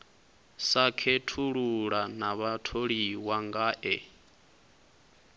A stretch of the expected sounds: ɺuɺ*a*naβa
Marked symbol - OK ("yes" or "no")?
yes